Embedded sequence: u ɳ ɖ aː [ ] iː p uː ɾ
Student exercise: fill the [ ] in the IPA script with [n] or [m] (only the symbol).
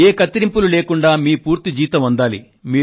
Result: m